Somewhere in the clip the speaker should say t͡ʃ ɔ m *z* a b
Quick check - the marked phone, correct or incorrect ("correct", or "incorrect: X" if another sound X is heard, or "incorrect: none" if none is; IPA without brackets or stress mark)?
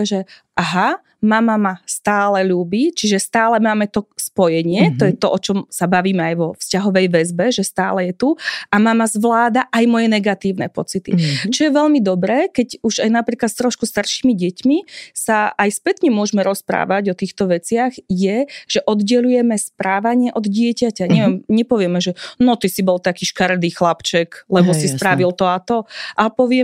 incorrect: s